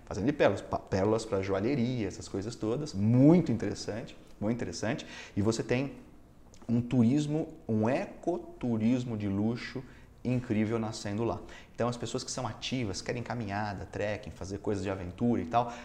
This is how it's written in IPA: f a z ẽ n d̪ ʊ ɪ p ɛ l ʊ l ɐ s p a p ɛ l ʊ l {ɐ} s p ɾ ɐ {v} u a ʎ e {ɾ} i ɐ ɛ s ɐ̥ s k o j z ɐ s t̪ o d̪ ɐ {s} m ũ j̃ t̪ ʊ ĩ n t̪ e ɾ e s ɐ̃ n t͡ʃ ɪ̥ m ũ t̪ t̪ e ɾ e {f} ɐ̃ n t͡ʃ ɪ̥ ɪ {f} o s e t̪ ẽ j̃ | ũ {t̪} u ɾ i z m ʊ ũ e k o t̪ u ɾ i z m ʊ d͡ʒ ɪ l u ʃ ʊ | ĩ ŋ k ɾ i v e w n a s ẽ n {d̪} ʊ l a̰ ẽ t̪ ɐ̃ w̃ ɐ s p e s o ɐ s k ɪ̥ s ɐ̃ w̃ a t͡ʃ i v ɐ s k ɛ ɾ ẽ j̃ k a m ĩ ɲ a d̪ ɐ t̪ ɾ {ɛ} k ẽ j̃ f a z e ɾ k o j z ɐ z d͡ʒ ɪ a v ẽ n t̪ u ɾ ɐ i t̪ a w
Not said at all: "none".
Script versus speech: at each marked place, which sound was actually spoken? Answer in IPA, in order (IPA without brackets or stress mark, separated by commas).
ɐ, ʒ, ɾ, s, s, v, t̪, d̪, ɛ